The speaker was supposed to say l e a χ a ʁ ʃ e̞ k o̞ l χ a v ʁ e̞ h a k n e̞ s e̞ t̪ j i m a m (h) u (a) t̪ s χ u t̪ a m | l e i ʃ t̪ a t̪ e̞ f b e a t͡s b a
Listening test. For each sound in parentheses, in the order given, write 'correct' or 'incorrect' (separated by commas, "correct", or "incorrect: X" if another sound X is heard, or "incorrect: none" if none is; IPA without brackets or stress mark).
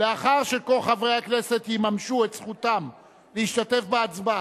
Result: incorrect: ʃ, incorrect: e